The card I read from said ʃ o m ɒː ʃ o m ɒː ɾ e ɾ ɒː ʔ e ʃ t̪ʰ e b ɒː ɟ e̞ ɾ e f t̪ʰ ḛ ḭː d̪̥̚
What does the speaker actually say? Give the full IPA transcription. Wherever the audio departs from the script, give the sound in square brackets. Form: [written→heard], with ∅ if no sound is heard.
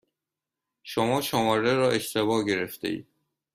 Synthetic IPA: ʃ o m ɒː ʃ o m ɒː ɾ e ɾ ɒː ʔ e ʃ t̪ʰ e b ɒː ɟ e̞ ɾ e f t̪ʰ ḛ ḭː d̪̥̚